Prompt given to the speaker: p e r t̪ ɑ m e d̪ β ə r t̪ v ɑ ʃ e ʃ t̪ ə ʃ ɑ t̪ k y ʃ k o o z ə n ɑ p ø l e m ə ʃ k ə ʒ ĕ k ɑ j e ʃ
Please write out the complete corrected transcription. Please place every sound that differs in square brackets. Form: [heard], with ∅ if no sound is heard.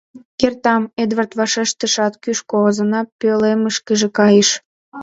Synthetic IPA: [k] e r t̪ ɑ m e d̪ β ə r t̪ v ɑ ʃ e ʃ t̪ ə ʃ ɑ t̪ k y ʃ k o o z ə n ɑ p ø l e m ə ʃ k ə ʒ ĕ k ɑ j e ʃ